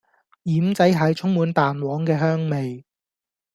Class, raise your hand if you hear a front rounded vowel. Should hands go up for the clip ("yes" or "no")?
yes